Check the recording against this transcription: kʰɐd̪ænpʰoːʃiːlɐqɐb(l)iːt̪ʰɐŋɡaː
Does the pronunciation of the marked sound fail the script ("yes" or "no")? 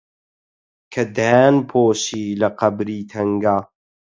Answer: yes